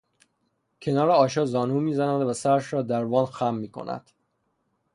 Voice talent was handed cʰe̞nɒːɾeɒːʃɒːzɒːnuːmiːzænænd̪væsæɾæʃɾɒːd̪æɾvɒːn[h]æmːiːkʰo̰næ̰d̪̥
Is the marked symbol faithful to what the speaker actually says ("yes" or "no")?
no